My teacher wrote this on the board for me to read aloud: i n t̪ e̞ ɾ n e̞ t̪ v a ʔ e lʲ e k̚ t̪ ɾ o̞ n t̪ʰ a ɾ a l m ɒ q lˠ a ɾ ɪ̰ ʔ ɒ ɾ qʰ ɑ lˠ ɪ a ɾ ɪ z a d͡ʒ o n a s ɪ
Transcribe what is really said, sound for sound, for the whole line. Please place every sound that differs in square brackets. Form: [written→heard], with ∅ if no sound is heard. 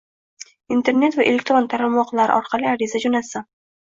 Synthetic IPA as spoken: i n t̪ e̞ ɾ n e̞ t̪ v a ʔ e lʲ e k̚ t̪ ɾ o̞ n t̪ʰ a ɾ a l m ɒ q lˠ a ɾ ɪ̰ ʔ ɒ ɾ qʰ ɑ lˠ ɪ a ɾ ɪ z a d͡ʒ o n a s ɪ